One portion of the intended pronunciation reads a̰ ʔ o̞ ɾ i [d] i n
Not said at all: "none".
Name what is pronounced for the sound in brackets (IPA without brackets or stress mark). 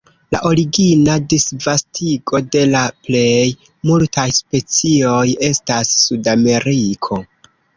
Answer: ɡ